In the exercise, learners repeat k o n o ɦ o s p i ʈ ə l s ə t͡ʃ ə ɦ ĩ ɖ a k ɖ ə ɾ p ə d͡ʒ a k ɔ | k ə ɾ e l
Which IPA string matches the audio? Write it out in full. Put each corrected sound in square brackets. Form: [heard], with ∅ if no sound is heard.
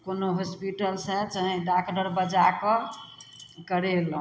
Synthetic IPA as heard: k o n o ɦ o s p i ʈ ə l s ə t͡ʃ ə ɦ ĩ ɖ a k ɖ ə ɾ [b] ə d͡ʒ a k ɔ | k ə ɾ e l